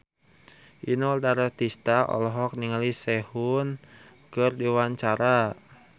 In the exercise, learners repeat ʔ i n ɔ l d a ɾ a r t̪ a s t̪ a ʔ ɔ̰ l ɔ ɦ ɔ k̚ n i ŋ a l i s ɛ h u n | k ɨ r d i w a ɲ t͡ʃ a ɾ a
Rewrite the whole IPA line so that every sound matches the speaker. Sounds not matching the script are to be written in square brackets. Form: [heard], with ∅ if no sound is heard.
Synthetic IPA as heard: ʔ i n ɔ l d a ɾ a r t̪ [i] s t̪ a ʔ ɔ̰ l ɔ ɦ ɔ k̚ n i ŋ a l i s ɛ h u n | k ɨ r d i w a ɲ t͡ʃ a ɾ a

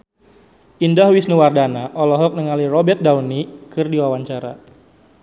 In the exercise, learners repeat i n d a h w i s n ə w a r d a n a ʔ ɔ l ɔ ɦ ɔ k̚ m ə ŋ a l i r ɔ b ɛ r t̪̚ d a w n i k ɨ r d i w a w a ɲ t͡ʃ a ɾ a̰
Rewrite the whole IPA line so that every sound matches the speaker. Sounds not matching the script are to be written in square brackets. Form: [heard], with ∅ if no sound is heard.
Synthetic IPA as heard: i n d a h w i s n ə w a r d a n a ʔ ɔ l ɔ ɦ ɔ k̚ [n] ə ŋ a l i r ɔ b ɛ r t̪̚ d a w n i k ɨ r d i w a w a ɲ t͡ʃ a ɾ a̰

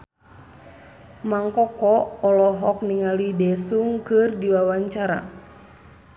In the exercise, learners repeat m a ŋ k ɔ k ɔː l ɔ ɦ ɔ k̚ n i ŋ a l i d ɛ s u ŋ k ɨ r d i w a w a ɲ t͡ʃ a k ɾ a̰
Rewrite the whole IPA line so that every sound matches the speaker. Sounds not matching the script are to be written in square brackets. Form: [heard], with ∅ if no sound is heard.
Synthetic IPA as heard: m a ŋ k ɔ k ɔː l ɔ ɦ ɔ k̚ n i ŋ a l i d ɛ s u ŋ k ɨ r d i w a w a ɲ t͡ʃ a [∅] ɾ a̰

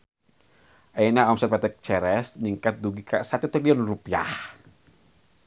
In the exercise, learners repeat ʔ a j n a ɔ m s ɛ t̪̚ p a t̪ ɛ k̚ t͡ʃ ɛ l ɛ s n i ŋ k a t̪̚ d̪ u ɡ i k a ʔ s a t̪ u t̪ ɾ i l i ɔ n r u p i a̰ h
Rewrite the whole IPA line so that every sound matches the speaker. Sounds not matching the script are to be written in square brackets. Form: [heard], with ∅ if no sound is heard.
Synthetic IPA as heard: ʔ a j n a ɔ m s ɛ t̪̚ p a t̪ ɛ k̚ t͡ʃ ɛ [ɾ] ɛ s n i ŋ k a t̪̚ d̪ u ɡ i k a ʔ s a t̪ u t̪ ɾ i l i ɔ n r u p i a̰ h

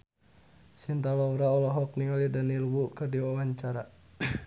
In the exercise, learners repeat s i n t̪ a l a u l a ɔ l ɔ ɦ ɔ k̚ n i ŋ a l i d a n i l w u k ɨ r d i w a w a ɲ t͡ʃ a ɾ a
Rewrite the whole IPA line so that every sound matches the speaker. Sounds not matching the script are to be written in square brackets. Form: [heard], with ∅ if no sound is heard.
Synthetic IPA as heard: s i n t̪ a l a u [ɾ] a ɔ l ɔ ɦ ɔ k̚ n i ŋ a l i d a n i l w u k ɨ r d i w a w a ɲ t͡ʃ a ɾ a

